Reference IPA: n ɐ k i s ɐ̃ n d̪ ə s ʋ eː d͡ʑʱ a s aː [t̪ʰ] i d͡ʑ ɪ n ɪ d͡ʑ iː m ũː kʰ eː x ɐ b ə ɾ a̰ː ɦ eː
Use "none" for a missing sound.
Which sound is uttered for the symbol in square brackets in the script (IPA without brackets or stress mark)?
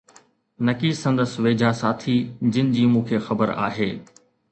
t̪ʰ